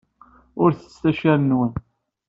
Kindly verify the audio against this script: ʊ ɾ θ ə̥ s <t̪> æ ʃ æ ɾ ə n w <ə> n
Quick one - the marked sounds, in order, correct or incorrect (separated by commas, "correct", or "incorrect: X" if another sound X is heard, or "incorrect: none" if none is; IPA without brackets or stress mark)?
correct, correct